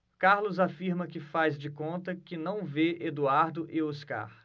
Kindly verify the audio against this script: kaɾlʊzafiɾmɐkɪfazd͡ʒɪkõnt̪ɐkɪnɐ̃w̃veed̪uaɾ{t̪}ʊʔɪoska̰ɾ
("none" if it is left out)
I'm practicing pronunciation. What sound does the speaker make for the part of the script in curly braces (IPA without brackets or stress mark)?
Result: d̪